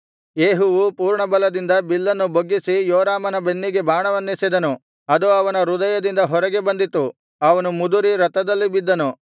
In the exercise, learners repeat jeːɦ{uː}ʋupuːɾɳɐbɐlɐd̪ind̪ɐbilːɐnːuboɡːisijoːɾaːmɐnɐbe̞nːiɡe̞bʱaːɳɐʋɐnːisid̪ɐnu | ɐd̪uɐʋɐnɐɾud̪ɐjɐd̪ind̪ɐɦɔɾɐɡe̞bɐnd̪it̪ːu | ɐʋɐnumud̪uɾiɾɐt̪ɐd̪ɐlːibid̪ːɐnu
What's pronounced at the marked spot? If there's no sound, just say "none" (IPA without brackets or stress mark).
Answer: u